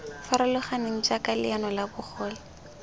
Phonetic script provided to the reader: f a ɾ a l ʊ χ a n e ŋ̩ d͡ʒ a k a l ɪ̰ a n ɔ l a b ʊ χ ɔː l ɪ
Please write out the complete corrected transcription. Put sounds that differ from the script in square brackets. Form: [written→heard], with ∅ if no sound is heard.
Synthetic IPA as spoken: f a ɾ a l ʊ χ a n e ŋ̩ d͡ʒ a k a l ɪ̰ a n ɔ l a b ʊ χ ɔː l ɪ